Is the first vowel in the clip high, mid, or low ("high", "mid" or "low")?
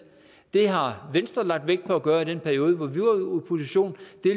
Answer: mid